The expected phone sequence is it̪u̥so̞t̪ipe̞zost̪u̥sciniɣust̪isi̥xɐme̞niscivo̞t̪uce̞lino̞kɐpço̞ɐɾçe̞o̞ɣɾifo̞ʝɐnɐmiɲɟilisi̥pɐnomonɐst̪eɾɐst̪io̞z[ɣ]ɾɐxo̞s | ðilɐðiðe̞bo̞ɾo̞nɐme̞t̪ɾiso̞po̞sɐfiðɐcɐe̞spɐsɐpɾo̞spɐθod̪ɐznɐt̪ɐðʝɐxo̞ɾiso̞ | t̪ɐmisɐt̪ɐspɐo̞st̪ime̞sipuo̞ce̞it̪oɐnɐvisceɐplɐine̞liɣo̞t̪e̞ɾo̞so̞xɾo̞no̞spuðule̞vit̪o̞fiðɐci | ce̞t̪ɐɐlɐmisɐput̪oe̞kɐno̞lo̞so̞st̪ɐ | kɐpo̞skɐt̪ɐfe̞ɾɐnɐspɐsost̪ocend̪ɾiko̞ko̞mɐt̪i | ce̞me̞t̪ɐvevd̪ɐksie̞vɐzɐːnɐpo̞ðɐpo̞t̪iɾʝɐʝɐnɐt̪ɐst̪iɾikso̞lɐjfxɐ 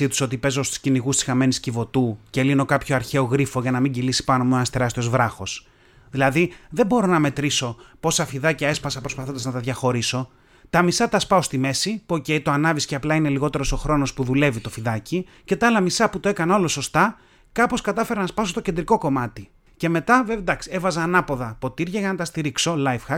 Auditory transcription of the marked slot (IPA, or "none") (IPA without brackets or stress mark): v